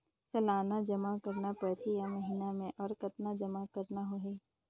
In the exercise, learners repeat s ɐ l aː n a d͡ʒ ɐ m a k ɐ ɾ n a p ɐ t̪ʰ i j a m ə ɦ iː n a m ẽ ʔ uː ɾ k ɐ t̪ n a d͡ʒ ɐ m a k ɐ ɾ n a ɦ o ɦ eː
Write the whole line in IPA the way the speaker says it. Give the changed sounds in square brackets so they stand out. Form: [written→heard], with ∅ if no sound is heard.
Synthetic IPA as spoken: s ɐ l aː n a d͡ʒ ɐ m a k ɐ ɾ n a p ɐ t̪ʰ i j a m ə ɦ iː n a m ẽ ʔ [uː→ɔː] ɾ k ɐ t̪ n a d͡ʒ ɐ m a k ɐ ɾ n a ɦ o ɦ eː